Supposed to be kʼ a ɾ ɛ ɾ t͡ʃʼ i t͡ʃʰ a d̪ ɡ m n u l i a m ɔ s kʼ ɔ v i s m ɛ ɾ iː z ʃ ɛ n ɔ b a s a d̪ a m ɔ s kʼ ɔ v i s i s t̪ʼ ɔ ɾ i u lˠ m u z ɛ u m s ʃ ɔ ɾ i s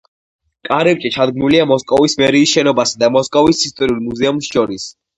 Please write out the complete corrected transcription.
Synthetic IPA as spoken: kʼ a ɾ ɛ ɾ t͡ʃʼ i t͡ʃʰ a d̪ ɡ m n u l i a m ɔ s kʼ ɔ v i s m ɛ ɾ iː s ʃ ɛ n ɔ b a s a d̪ a m ɔ s kʼ ɔ v i s i s t̪ʼ ɔ ɾ i u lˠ m u z ɛ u m s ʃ ɔ ɾ i s

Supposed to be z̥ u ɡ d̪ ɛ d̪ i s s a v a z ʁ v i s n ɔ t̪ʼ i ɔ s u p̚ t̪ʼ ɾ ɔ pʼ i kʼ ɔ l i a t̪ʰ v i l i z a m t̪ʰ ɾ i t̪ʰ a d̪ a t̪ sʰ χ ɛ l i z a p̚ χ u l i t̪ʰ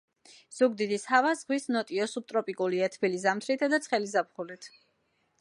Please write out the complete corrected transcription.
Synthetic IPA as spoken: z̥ u ɡ d̪ i d̪ i s h a v a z ʁ w i s n ɔ t̪ʼ i ɔ s u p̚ t̪ʼ ɾ ɔ pʼ i kʼ u l i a t̪ʰ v i l i z a m t̪ʰ ɾ i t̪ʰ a d̪ a t̪ sʰ χ ɛ l i z a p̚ χ u l i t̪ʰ

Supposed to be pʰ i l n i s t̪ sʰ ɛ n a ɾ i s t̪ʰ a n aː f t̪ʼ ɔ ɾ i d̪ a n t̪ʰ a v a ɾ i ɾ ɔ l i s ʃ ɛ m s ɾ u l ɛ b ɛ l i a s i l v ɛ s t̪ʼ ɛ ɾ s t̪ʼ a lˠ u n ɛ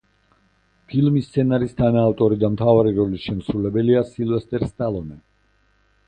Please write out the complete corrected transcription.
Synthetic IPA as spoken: pʰ i l m i s t̪ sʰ ɛ n a ɾ i s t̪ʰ a n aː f t̪ʼ ɔ ɾ i d̪ a m t̪ʰ a v a ɾ i ɾ ɔ l i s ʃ ɛ m s ɾ u l ɛ b ɛ l i a s i l v ɛ s t̪ʼ ɛ ɾ s t̪ʼ a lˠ ɔ n ɛ

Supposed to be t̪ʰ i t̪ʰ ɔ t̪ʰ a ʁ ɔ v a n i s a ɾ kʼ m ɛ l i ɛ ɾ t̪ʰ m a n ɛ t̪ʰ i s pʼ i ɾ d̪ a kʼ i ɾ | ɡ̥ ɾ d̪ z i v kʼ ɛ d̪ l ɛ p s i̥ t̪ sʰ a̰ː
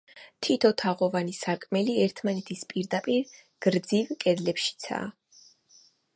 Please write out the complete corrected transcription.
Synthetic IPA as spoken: t̪ʰ i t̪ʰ ɔ t̪ʰ a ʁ ɔ v a n i s a ɾ kʼ m ɛ l i ɛ ɾ t̪ʰ m a n ɛ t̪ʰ i s pʼ i ɾ d̪ a pʼ i ɾ | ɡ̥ ɾ d̪ z i v kʼ ɛ d̪ l ɛ p ʃ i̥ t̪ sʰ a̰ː

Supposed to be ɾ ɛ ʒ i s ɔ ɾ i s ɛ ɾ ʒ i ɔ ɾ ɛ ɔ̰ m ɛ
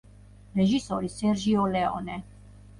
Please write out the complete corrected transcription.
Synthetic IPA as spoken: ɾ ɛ ʒ i s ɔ ɾ i s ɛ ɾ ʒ i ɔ l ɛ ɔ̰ n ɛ

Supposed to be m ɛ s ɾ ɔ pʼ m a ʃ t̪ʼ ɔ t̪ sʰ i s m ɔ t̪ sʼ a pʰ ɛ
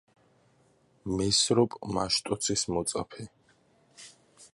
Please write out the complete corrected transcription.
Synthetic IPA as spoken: m ɛ s ɾ ɔ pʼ m a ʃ t̪ʼ ɔ t̪ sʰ i s m ɔ t̪ sʼ a pʰ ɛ

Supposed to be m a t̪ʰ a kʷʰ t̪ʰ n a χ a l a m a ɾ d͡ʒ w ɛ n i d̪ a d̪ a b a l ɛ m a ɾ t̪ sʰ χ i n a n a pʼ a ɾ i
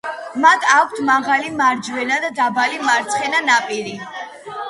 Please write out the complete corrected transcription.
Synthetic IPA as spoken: m a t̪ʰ a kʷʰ t̪ʰ m a ʁ a l i m a ɾ d͡ʒ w ɛ n a d̪ a d̪ a b a l i m a ɾ t̪ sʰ χ ɛ n a n a pʼ i ɾ i

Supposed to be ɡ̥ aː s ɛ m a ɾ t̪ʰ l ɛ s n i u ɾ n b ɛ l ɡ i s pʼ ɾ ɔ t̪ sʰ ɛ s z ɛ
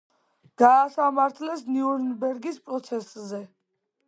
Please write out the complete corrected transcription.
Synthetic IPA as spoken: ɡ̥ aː s a m a ɾ t̪ʰ l ɛ s n i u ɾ n b ɛ ɾ ɡ i s pʼ ɾ ɔ t̪ sʰ ɛ s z ɛ

